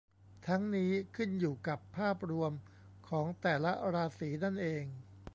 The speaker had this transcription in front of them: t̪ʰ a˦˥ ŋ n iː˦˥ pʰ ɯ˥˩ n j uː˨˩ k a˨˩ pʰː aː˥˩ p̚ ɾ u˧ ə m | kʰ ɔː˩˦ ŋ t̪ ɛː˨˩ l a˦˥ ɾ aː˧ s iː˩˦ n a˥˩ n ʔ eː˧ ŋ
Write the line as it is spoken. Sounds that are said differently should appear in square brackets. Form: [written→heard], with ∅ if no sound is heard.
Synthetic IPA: t̪ʰ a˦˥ ŋ n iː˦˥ [pʰ→kʰ] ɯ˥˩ n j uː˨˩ k a˨˩ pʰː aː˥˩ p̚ ɾ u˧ ə m | kʰ ɔː˩˦ ŋ t̪ ɛː˨˩ l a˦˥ ɾ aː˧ s iː˩˦ n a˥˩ n ʔ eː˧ ŋ